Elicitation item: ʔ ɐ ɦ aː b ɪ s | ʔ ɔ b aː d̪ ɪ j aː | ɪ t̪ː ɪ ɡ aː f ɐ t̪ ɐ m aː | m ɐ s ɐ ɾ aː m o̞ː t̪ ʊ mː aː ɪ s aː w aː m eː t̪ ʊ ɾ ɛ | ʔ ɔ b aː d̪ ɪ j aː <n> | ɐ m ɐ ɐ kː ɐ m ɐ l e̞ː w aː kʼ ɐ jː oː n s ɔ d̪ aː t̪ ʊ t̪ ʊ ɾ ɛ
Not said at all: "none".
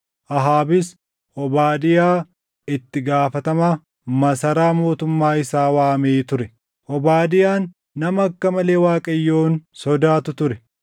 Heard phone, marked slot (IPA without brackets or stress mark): nː